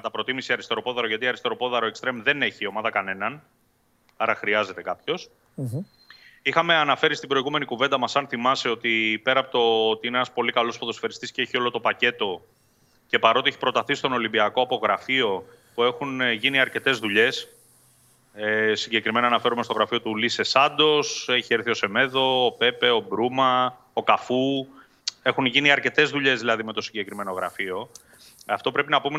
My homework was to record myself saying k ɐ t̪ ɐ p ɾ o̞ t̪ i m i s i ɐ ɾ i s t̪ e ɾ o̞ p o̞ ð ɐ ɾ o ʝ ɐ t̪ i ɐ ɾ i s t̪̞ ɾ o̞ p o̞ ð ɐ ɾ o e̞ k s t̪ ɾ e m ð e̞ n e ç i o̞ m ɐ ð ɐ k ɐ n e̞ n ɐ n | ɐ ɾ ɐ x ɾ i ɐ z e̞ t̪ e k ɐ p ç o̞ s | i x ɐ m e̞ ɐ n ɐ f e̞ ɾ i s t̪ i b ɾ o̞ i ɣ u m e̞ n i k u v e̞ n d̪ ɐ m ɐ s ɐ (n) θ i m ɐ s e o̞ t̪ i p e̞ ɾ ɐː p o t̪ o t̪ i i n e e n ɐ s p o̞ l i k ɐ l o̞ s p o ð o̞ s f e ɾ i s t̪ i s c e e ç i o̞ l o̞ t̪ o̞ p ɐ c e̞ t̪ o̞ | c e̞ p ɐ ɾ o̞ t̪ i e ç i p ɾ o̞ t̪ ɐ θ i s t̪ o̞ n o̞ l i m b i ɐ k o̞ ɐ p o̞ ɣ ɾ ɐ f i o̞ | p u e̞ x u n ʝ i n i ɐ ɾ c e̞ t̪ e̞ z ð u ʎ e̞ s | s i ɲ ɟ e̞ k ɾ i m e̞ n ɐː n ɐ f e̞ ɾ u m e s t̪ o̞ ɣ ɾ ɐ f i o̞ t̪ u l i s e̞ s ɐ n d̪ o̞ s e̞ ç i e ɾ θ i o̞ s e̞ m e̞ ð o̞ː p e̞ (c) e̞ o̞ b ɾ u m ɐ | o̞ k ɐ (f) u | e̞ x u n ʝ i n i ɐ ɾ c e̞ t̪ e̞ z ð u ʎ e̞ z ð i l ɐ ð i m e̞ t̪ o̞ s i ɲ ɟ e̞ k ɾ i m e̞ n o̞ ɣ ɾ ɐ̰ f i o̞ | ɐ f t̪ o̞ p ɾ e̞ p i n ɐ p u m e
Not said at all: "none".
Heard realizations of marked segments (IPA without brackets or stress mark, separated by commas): n, p, f